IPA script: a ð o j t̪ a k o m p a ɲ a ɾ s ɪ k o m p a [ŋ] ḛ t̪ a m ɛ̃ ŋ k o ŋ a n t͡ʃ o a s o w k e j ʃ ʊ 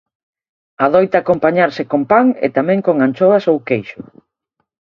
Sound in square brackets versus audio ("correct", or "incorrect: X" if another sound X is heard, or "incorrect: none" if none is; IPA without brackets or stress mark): correct